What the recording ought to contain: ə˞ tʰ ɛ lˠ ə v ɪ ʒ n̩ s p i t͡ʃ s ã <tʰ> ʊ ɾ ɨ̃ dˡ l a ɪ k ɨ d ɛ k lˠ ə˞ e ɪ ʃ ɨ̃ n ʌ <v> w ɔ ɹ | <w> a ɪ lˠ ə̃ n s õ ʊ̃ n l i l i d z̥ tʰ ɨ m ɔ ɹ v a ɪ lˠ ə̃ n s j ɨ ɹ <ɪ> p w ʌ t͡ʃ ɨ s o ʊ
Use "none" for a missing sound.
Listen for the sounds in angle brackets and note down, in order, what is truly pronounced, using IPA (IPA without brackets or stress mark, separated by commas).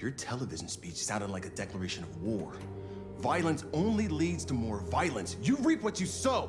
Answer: none, v, v, i